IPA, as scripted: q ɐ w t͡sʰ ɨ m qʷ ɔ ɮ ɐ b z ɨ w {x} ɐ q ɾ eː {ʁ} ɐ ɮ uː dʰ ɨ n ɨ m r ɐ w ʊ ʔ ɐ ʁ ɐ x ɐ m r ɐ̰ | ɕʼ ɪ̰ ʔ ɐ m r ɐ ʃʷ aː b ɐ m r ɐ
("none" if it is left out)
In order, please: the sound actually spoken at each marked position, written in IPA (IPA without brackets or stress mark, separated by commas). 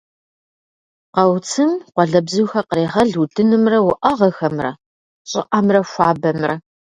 x, ʁ